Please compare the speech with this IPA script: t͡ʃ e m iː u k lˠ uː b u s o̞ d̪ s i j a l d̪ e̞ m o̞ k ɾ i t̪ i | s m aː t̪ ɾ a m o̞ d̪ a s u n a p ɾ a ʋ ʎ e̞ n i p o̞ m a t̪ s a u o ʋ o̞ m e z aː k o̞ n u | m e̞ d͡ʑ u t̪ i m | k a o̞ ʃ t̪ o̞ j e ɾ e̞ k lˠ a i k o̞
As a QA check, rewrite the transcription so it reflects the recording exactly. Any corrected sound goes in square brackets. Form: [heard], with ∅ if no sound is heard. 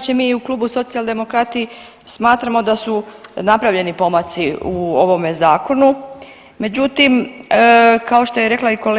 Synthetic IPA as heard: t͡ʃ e m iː u k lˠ uː b u s o̞ [t̪] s i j a l d̪ e̞ m o̞ k ɾ [a] t̪ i | s m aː t̪ ɾ a m o̞ d̪ a s u n a p ɾ a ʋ ʎ e̞ n i p o̞ m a t̪ s [i] u o ʋ o̞ m e z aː k o̞ n u | m e̞ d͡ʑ u t̪ i m | k a o̞ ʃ t̪ o̞ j e ɾ e̞ k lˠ a i k o̞